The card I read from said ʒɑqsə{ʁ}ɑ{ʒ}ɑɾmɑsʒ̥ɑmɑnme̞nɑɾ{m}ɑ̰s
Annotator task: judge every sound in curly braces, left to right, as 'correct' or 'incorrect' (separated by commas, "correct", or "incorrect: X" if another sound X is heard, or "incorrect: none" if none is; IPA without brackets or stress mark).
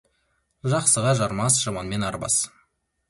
correct, correct, incorrect: b